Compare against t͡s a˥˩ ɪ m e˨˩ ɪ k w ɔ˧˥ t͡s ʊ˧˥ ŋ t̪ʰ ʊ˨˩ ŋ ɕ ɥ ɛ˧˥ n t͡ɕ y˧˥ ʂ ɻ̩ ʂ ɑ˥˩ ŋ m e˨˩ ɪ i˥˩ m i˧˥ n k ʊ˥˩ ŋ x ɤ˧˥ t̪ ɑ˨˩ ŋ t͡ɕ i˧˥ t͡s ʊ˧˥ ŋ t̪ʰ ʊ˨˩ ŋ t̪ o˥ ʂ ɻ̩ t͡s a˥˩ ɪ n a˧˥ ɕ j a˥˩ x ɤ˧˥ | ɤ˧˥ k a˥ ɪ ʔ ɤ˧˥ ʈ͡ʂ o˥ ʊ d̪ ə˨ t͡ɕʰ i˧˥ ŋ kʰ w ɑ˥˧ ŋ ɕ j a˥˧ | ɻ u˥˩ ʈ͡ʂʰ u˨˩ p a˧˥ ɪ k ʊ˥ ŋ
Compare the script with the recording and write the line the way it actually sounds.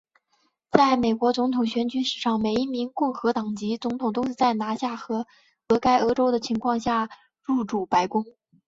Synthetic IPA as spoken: t͡s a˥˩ ɪ m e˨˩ ɪ k w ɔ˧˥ t͡s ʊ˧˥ ŋ t̪ʰ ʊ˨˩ ŋ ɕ ɥ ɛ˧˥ n t͡ɕ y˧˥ ʂ ɻ̩ ʂ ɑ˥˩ ŋ m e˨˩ ɪ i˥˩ m i˧˥ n k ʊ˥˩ ŋ x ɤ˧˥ t̪ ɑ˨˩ ŋ t͡ɕ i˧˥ t͡s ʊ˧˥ ŋ t̪ʰ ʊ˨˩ ŋ t̪ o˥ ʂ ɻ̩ t͡s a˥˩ ɪ n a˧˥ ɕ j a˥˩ x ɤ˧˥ | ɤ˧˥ k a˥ ɪ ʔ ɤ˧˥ ʈ͡ʂ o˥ ʊ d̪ ə˨ t͡ɕʰ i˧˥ ŋ kʰ w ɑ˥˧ ŋ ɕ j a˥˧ | ɻ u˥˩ ʈ͡ʂ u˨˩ p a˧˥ ɪ k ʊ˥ ŋ